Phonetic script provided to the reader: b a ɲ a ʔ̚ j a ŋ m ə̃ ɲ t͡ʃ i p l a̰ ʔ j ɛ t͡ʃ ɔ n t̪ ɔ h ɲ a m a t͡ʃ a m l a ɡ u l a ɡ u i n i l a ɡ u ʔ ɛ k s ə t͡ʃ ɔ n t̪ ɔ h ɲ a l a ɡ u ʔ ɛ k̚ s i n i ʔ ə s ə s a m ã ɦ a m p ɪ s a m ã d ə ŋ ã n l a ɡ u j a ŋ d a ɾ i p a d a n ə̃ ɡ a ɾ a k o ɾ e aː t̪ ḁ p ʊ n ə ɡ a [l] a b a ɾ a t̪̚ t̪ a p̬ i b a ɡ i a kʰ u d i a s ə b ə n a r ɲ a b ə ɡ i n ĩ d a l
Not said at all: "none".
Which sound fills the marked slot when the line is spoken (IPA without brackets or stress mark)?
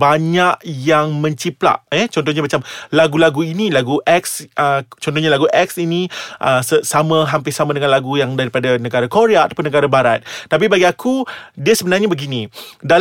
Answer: ɾ